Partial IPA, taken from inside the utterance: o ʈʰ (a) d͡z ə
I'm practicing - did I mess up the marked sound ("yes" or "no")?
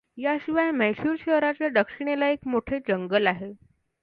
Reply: yes